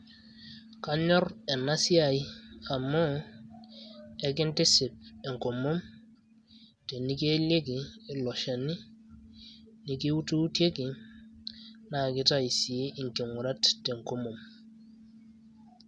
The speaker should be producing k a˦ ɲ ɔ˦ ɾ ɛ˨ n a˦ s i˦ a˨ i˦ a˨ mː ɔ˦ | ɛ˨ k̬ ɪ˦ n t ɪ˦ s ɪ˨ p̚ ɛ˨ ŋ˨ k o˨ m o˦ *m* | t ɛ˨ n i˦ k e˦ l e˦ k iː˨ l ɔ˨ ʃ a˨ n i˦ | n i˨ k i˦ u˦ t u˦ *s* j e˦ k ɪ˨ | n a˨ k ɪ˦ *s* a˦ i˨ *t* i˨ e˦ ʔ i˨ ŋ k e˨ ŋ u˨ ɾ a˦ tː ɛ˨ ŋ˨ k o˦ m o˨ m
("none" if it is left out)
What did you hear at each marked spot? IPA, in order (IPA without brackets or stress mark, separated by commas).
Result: m, t, t, s